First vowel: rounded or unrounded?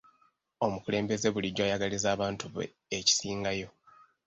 rounded